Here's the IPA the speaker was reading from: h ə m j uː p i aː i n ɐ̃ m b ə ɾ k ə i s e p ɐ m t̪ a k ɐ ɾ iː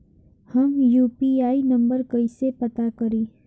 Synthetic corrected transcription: h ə m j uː p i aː i n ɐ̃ m b ə ɾ k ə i s e p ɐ t̪ a k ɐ ɾ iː